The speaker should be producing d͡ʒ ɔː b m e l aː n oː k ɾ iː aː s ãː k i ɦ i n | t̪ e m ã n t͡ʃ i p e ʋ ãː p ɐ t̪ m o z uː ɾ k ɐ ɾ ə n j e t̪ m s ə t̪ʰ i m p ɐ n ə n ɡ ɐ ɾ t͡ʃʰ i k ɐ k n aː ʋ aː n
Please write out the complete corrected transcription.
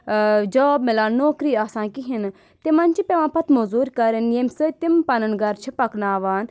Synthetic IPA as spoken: d͡ʒ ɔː b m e l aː n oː k ɾ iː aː s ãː k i ɦ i n | t̪ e m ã n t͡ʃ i p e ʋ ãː p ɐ t̪ m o z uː ɾ k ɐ ɾ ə n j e m s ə t̪ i m p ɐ n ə n ɡ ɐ ɾ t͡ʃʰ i p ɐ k n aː ʋ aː n